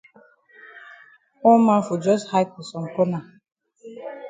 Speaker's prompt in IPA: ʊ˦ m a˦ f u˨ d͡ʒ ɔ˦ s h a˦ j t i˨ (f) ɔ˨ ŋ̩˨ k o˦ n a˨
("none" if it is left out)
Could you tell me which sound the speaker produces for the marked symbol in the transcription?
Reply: s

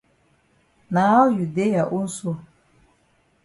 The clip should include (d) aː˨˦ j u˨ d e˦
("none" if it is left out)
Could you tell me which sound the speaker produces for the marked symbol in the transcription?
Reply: n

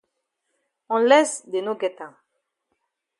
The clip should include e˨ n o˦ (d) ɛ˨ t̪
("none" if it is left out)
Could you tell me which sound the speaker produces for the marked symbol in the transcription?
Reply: ɡ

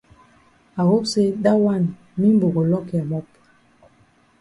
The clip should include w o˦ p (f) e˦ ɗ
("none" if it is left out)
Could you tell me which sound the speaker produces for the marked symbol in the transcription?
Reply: s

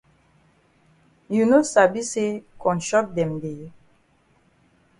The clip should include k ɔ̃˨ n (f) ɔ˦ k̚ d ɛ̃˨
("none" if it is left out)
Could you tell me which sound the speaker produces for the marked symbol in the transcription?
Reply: ʃ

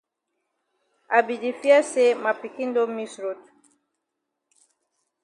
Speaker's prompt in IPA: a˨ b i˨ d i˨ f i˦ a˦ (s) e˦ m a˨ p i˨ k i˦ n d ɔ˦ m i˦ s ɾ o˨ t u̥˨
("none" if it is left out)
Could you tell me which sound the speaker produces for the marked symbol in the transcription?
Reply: s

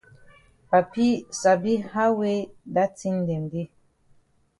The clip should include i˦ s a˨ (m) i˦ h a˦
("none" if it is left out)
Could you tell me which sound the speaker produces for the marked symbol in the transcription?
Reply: b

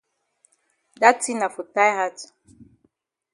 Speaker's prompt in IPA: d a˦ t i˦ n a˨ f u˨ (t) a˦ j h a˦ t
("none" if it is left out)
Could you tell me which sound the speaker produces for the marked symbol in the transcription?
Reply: t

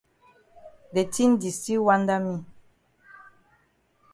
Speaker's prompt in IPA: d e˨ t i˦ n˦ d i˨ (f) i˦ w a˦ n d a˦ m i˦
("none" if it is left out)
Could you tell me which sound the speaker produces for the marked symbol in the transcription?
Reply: s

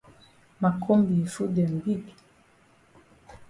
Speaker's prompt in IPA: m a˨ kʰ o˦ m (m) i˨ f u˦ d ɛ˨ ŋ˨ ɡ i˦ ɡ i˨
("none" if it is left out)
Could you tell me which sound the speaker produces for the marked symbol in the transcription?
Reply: b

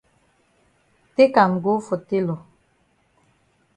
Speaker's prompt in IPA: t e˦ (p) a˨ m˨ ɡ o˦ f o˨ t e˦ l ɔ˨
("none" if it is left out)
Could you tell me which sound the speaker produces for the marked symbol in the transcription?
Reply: k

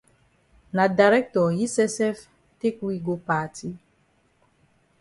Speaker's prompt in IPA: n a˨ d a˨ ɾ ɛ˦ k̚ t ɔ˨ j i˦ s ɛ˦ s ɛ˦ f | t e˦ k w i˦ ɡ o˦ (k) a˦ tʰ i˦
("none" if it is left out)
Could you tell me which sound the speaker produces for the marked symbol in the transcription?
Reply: p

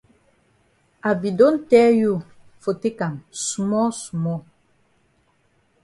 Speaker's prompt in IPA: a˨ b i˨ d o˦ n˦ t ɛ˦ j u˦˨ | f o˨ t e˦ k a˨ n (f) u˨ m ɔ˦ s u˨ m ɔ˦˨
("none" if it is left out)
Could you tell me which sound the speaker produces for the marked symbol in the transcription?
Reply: s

